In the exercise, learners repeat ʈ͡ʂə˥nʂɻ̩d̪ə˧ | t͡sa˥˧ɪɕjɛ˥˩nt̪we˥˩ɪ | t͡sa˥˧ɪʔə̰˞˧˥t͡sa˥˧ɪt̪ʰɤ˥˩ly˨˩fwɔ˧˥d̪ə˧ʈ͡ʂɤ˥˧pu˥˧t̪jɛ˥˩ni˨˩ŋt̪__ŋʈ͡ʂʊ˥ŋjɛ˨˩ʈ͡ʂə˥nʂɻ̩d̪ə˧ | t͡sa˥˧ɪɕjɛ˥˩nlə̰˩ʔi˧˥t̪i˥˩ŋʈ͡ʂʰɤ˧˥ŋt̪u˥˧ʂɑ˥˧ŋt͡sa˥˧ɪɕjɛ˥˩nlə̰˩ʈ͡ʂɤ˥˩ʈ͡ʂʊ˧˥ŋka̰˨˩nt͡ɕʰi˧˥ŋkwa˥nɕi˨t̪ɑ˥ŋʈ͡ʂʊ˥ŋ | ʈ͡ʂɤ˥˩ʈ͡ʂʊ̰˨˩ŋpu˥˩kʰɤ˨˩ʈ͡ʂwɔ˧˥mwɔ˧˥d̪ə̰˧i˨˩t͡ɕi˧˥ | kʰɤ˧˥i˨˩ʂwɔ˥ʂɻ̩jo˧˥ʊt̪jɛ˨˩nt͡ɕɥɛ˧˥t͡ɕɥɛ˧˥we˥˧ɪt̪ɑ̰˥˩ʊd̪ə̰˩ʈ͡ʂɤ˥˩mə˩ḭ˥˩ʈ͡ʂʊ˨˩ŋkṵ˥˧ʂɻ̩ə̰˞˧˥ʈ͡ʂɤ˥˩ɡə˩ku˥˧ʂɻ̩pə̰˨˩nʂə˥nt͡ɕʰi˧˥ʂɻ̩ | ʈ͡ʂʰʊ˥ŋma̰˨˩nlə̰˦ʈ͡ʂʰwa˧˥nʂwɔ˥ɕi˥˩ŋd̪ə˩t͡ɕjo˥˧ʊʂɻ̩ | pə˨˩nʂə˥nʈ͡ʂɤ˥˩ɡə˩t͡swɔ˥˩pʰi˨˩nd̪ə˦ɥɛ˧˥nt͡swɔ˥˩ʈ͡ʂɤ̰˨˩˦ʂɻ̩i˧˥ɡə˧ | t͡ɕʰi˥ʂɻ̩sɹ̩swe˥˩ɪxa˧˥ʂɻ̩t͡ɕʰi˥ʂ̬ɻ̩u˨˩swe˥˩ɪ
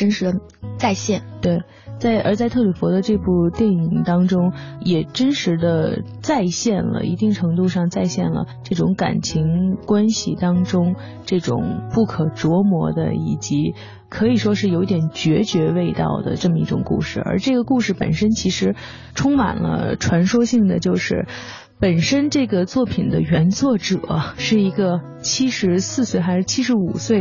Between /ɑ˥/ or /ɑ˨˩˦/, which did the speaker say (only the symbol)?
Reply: ɑ˥